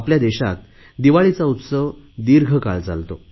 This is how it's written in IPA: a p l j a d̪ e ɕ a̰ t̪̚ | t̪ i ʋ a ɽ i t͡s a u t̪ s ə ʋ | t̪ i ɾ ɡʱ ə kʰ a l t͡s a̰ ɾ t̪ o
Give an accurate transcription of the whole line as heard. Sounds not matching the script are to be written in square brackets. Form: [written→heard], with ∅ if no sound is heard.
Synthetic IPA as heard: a p l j a d̪ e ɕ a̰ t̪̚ | [t̪→d̪] i ʋ a [ɽ→ɭ] i t͡s a u t̪ s ə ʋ | [t̪→d̪] i ɾ ɡʱ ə [kʰ→k] a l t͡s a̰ [ɾ→l] t̪ o